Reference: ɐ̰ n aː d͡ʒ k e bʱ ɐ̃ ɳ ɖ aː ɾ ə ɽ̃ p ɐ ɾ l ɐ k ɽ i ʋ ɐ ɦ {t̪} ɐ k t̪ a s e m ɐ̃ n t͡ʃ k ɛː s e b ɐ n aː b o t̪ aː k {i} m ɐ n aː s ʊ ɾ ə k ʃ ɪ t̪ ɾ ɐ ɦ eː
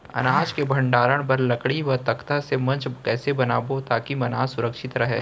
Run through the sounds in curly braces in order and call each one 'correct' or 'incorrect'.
correct, correct

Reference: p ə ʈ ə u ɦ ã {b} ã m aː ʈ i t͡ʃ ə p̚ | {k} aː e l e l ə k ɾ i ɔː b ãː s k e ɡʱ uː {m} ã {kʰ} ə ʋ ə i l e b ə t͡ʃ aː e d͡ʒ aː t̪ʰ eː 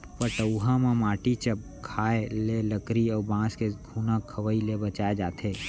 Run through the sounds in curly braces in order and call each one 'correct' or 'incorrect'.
incorrect: m, incorrect: kʰ, incorrect: n, correct

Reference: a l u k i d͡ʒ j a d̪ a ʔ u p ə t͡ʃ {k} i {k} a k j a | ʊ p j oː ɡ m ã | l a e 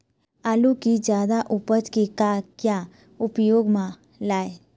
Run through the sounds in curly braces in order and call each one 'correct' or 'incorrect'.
correct, correct

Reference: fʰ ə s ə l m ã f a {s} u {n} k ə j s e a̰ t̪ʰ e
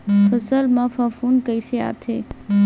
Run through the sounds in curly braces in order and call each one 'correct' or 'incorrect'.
incorrect: f, correct

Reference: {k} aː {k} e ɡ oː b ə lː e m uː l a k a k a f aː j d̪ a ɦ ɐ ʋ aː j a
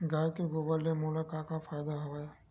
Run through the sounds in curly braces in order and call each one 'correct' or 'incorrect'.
incorrect: ɡ, correct

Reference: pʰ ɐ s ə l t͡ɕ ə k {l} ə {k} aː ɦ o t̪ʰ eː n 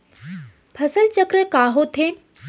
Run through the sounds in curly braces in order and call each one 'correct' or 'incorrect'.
incorrect: ɾ, correct

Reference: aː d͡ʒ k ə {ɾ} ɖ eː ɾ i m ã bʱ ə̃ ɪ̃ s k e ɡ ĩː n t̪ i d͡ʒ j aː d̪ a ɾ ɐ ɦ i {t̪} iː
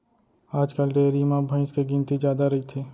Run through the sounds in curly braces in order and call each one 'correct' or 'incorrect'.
incorrect: l, incorrect: t̪ʰ

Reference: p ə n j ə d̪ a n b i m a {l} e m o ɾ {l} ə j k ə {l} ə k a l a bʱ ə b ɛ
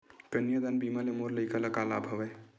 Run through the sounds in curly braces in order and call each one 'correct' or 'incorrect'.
correct, correct, correct

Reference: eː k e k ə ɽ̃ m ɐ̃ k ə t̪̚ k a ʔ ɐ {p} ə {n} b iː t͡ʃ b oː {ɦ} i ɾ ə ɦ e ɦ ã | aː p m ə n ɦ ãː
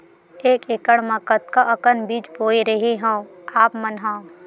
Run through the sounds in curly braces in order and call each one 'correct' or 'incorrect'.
incorrect: k, correct, incorrect: none

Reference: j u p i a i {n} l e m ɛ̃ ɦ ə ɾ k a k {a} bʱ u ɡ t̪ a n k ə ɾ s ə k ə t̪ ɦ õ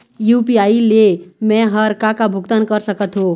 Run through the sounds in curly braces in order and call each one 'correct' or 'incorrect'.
incorrect: none, correct

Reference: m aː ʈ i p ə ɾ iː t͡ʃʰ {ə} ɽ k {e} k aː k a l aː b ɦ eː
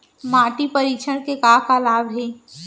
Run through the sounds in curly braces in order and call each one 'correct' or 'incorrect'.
correct, correct

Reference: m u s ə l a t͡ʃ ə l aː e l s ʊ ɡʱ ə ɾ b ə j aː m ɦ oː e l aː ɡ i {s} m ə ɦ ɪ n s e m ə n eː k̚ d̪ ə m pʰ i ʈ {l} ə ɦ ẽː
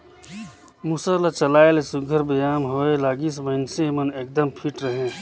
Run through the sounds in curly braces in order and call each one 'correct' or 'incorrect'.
correct, incorrect: ɾ

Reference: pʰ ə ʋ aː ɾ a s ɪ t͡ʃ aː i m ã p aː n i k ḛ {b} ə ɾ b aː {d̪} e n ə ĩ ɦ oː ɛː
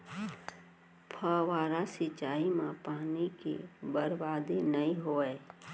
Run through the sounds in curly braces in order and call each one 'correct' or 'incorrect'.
correct, correct

